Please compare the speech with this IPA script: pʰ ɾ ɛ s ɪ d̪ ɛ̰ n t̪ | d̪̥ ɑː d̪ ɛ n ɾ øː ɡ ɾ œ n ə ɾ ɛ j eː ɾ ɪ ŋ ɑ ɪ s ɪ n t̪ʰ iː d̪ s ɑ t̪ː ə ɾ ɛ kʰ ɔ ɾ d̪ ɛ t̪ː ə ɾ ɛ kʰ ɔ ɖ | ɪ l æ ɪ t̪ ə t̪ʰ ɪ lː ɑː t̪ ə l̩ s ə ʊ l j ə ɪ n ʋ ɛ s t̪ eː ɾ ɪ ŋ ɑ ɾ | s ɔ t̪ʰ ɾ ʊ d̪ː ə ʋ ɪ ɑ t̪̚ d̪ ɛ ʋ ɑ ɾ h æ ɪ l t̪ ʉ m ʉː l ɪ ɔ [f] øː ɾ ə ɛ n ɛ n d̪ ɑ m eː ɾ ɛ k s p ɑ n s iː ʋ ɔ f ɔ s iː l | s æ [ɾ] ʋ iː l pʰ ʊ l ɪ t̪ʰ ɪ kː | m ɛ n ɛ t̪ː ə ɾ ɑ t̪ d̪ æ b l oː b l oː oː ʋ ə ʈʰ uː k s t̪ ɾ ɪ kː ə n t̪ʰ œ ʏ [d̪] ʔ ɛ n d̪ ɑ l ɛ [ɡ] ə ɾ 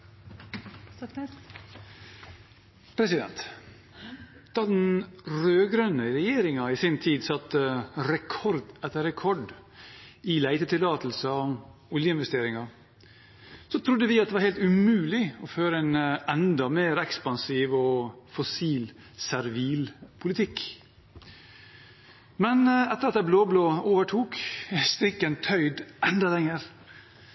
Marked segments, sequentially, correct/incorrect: correct, correct, correct, incorrect: ŋ

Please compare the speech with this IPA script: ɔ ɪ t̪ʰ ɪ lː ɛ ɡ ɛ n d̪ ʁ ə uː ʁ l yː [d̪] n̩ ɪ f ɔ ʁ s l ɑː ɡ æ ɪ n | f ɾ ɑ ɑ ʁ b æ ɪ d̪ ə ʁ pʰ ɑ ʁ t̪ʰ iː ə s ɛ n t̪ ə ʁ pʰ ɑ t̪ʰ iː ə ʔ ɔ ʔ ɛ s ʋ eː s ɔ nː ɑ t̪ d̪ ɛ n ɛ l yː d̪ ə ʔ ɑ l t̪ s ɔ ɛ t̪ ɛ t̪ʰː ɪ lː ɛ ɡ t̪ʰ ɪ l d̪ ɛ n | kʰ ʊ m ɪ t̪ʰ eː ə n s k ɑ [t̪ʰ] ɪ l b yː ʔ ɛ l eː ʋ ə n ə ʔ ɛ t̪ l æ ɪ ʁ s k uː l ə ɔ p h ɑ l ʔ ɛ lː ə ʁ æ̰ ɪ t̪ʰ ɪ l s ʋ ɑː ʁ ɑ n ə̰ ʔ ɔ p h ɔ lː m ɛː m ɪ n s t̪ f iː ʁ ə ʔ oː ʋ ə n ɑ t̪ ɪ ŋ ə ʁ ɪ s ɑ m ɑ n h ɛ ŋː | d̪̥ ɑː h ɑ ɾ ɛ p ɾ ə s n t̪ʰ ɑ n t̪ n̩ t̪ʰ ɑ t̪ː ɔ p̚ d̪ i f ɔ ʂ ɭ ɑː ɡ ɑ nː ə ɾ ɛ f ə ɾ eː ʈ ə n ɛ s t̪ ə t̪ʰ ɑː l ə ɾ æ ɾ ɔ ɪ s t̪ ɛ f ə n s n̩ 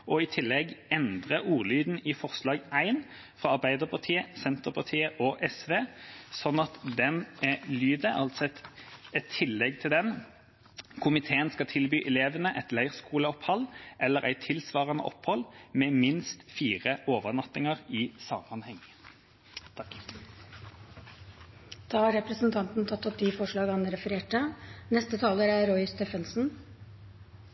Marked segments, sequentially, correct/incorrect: correct, correct

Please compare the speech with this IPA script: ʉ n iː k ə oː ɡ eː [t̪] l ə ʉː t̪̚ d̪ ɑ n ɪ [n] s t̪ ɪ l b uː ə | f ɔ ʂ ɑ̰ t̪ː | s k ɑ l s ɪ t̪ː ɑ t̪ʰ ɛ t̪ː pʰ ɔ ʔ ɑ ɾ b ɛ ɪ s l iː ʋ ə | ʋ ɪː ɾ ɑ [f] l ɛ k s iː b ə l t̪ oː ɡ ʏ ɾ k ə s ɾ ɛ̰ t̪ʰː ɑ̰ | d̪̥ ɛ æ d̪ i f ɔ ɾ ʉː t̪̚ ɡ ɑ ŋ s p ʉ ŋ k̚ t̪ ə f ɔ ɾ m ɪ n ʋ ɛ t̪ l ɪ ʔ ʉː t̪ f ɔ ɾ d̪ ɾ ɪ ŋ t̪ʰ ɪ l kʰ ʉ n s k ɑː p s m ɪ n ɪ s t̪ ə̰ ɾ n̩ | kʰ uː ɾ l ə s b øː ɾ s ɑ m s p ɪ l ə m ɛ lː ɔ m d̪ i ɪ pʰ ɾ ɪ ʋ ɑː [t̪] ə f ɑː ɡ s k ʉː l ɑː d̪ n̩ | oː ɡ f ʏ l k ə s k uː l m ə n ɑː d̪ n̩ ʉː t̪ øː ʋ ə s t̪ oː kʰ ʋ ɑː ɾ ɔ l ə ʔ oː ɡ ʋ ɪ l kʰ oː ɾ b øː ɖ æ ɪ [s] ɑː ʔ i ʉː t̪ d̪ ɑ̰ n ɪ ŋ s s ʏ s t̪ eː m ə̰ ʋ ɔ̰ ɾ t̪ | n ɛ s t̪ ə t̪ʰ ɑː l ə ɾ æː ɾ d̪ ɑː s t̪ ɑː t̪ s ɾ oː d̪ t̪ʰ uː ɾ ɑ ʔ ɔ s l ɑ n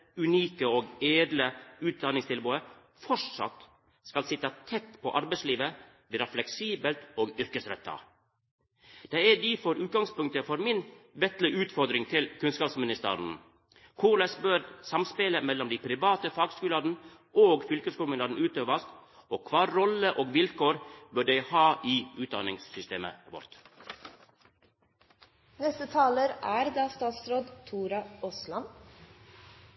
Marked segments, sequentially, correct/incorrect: incorrect: d̪, incorrect: ŋ, correct, correct, incorrect: h

